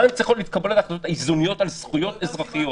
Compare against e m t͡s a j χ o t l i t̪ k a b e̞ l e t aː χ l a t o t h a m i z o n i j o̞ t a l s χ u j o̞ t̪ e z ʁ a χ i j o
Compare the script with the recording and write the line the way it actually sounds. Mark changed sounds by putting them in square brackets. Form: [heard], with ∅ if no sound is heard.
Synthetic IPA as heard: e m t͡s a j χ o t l i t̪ k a b e̞ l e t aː χ l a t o t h a [∅] i z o n i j o̞ t a l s χ u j o̞ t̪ e z ʁ a χ i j o